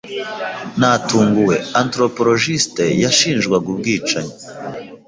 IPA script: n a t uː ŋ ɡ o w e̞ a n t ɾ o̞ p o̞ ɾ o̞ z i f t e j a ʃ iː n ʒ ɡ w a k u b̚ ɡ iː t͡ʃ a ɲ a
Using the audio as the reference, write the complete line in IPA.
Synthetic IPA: n a t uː ŋ ɡ u w e̞ a n t ɾ o̞ p o̞ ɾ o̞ ʒ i s t e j a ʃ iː n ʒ ɡ w a ɡ u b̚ ɡ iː t͡ʃ a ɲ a